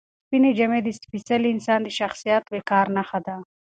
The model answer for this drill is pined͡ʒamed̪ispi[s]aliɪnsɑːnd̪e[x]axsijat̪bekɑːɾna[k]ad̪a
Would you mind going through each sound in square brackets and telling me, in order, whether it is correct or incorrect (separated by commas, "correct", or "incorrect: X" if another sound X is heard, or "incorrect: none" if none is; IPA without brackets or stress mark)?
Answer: correct, incorrect: ʃ, incorrect: x